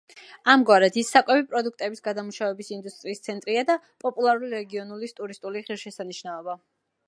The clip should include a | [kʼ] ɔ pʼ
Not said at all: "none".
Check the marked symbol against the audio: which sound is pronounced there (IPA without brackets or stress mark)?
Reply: pʼ